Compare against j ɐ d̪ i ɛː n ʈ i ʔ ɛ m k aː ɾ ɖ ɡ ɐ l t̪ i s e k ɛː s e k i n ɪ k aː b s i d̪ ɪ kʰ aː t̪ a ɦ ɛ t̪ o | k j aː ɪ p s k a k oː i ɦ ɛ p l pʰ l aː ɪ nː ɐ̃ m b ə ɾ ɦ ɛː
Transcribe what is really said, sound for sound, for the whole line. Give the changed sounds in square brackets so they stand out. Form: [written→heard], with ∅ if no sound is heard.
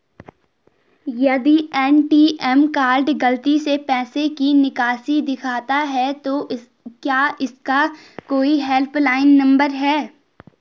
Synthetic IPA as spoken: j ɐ d̪ i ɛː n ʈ i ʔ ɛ m k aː ɾ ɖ ɡ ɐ l t̪ i s e [k→p] ɛː s e k i n ɪ k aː [b→∅] s i d̪ ɪ kʰ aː t̪ a ɦ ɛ t̪ o | k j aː ɪ [p→∅] s k a k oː i ɦ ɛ [p→∅] l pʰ l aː ɪ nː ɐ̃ m b ə ɾ ɦ ɛː